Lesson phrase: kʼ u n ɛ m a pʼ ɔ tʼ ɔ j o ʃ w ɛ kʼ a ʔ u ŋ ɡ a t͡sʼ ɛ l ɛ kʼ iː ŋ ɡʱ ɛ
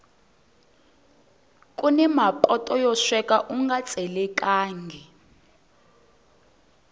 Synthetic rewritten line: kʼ u n ɛ m a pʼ ɔ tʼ ɔ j ɔ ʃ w ɛ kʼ a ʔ u ŋ ɡ a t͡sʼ ɛ l ɛ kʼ aː ŋ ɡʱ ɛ